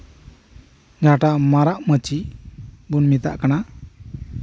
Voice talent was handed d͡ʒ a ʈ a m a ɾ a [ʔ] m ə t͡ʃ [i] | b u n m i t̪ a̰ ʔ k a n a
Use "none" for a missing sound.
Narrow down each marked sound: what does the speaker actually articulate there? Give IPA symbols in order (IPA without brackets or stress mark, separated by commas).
ʔ, i